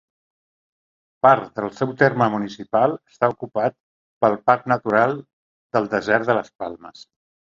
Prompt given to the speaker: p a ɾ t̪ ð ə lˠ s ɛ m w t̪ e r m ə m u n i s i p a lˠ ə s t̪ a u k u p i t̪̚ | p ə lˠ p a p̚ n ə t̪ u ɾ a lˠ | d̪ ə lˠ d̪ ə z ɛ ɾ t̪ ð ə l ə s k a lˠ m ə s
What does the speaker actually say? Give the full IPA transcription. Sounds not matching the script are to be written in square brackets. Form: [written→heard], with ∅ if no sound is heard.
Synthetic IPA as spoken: p a ɾ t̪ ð ə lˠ s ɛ [m→∅] w t̪ e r m ə m u n i s i p a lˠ ə s t̪ a u k u p [i→a] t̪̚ | p ə lˠ p a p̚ n ə t̪ u ɾ a lˠ | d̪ ə lˠ d̪ ə z ɛ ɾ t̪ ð ə l ə s [k→p] a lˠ m ə s

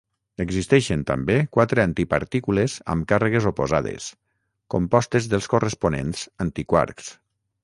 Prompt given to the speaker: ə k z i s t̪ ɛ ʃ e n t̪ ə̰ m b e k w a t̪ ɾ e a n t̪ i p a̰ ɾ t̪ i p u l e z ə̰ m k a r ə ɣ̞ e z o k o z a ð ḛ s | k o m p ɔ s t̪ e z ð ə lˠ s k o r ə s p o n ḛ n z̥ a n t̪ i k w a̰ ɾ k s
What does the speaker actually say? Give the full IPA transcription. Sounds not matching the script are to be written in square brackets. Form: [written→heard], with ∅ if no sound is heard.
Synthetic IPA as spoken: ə [k→ɡ] z i s t̪ ɛ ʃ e n t̪ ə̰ m b e k w a t̪ ɾ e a n t̪ i p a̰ ɾ t̪ i [p→k] u l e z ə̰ m k a r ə ɣ̞ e z o [k→p] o z a ð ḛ s | k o m p ɔ s t̪ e z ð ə lˠ s k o r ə s p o n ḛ n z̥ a n t̪ i k w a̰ ɾ k s

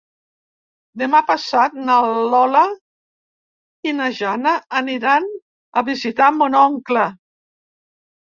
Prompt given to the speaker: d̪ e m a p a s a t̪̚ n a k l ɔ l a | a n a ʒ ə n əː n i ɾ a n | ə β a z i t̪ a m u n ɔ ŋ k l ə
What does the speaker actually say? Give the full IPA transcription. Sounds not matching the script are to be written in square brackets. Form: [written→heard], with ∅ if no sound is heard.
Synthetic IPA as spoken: d̪ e m a p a s a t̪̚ n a [k→∅] l ɔ l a | [a→i] n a ʒ [ə→a] n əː n i ɾ a n | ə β [a→i] z i t̪ a m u n ɔ ŋ k l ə

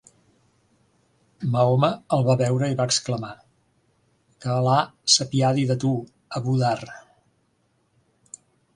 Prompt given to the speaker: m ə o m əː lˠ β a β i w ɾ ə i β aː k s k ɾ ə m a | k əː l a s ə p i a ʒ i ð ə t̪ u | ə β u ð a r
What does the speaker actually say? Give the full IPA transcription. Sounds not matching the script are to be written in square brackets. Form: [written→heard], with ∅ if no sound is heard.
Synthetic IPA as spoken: m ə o m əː lˠ β a β [i→ɛ] w ɾ ə i β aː k s k [ɾ→l] ə m a | k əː l a s ə p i a [ʒ→ð] i ð ə t̪ u | ə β u ð a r

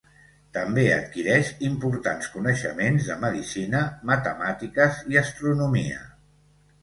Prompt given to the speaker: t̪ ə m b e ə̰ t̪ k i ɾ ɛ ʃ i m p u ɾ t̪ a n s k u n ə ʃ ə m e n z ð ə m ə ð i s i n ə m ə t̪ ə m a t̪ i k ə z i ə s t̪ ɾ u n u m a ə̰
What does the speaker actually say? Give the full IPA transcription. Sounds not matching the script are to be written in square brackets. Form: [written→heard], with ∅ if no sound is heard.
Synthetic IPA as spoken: t̪ ə m b e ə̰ t̪ k i ɾ ɛ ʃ i m p u ɾ t̪ a n s k u n ə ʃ ə m e n z ð ə m ə ð i s i n ə m ə t̪ ə m a t̪ i k ə z i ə s t̪ ɾ u n u m [a→i] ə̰

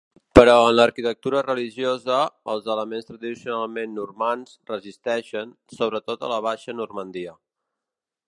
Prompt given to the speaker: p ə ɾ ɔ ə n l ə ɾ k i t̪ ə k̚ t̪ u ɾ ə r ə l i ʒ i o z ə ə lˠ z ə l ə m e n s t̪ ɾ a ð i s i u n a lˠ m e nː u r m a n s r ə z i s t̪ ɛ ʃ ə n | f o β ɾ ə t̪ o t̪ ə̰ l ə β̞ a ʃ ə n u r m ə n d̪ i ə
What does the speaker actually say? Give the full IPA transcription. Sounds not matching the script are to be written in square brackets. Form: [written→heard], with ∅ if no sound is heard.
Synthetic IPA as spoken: p ə ɾ ɔ ə n l ə ɾ k i t̪ ə k̚ t̪ u ɾ ə r ə l i ʒ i o z ə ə lˠ z ə l ə m e n s t̪ ɾ [a→ə] ð i s i u n a lˠ m e nː u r m a n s r ə z i s t̪ ɛ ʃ ə n | [f→s] o β ɾ ə t̪ o t̪ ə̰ l ə β̞ a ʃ ə n u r m ə n d̪ i ə

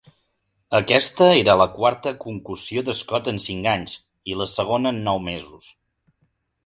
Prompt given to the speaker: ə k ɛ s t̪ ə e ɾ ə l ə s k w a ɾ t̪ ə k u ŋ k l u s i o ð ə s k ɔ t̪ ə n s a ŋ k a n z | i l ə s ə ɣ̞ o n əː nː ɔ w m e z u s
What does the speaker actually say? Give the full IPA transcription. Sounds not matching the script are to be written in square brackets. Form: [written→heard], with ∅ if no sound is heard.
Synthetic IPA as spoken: ə k ɛ s t̪ ə e ɾ ə l ə [s→∅] k w a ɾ t̪ ə k u ŋ k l u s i o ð ə s k ɔ t̪ ə n s [a→i] ŋ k a [n→ɲ] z | i l ə s ə ɣ̞ o n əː nː ɔ w m e z u s

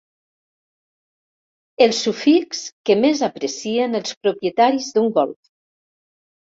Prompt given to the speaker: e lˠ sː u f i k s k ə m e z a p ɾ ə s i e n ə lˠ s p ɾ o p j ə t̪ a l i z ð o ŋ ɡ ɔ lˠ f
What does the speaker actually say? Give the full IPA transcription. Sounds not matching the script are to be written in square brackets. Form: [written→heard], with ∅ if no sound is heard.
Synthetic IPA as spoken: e lˠ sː u f i k s k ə m e z a p ɾ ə s i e n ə lˠ s p ɾ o p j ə t̪ a [l→ɾ] i z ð [o→u] ŋ ɡ ɔ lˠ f

